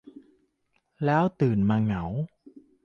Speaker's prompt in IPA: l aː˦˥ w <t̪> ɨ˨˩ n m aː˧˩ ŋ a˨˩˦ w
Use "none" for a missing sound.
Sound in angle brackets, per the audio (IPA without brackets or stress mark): t̪